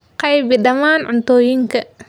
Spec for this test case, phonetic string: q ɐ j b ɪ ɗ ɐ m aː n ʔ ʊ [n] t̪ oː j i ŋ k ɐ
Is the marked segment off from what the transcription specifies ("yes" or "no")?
no